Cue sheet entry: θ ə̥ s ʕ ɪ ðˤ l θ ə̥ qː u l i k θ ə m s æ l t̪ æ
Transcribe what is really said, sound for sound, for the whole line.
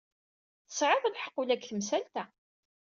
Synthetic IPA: θ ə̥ s ʕ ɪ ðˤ l ħ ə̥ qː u l æ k θ ə m s æ l t̪ æ